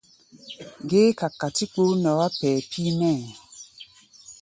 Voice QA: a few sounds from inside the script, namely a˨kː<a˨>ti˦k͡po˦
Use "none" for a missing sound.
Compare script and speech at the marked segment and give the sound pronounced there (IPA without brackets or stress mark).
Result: a˨